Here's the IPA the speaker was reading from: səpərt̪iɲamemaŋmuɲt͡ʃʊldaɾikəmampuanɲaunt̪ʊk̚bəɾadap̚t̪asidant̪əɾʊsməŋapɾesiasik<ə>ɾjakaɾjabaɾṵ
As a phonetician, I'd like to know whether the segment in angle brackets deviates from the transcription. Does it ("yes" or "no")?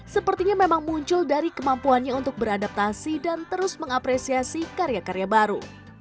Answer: yes